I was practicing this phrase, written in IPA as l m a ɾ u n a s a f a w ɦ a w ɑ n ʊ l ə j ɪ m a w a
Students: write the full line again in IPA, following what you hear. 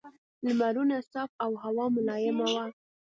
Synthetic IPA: l m a ɾ u n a s ɑ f a w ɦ a w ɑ m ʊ l ɑ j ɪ m a w a